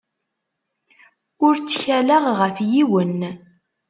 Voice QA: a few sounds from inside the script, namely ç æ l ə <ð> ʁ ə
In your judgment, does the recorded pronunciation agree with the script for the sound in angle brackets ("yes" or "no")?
no